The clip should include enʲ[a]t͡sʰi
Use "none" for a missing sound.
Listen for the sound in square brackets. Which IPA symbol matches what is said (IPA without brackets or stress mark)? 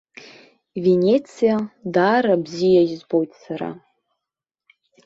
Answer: e